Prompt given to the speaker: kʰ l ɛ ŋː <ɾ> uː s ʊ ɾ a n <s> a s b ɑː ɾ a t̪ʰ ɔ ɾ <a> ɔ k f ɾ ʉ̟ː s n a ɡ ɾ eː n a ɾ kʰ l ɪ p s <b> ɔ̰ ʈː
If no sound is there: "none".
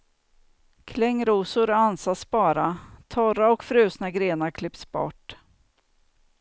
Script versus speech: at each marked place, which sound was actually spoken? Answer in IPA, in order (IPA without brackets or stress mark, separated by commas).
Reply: ɾ, s, a, b